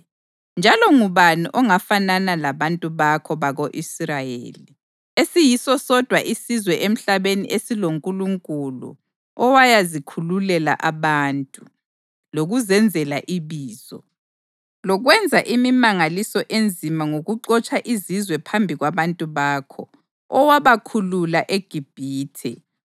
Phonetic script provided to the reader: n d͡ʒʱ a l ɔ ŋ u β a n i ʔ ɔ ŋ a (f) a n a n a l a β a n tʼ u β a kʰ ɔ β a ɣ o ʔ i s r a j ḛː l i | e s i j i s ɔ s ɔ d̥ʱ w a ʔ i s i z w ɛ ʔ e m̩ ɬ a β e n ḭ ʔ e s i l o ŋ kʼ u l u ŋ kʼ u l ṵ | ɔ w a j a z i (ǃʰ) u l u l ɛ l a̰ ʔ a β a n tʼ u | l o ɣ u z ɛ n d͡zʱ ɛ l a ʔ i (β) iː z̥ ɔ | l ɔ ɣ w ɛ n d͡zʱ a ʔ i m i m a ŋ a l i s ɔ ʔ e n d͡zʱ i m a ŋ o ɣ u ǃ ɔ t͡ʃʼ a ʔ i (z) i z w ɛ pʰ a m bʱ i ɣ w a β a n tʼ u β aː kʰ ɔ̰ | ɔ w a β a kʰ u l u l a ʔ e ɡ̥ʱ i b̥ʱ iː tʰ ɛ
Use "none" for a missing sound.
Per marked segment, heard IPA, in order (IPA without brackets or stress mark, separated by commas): f, kʰ, β, z